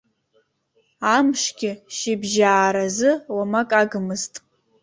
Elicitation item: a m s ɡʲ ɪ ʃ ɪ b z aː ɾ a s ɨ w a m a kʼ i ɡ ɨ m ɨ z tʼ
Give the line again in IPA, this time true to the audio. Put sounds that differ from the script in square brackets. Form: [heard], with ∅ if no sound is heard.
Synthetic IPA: a m [ʂ] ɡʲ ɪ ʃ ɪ b [ʒ] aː ɾ a [z] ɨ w a m a kʼ [a] ɡ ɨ m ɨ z tʼ

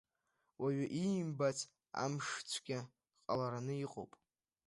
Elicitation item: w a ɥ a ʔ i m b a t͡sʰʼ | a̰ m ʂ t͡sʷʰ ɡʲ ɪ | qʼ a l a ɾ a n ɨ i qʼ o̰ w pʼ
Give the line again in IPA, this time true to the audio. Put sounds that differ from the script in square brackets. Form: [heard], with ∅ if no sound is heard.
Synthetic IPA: w a ɥ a ʔ i m b a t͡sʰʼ | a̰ m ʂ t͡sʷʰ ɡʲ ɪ | qʼ a l a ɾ a n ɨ i qʼ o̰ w pʼ

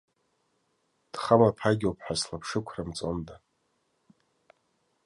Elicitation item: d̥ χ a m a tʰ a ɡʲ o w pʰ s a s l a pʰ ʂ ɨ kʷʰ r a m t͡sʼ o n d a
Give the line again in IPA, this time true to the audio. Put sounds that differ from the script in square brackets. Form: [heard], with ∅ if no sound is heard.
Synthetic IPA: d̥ χ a m a [pʰ] a ɡʲ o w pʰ [ħ] a s l a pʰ ʂ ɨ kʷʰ r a m t͡sʼ o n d a

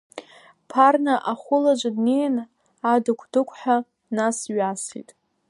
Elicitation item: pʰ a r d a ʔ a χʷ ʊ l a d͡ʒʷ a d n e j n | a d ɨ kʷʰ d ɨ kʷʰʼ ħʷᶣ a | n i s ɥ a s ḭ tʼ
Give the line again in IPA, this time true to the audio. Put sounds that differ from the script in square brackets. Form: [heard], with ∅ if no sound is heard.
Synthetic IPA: pʰ a r [n] a ʔ a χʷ ʊ l a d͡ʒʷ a d n e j n | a d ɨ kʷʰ d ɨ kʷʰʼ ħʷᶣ a | n [a] s ɥ a s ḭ tʼ

